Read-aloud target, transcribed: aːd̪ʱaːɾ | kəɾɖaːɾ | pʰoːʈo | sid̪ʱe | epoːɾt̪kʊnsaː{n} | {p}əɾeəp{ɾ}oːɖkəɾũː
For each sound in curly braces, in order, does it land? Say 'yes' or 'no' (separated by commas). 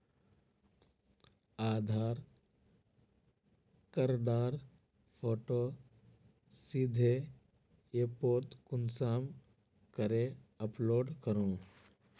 no, no, no